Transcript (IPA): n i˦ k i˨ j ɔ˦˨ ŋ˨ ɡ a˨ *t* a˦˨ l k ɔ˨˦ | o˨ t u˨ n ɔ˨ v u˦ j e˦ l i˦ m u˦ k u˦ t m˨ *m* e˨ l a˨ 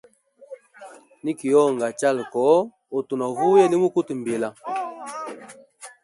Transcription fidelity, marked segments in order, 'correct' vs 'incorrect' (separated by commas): incorrect, incorrect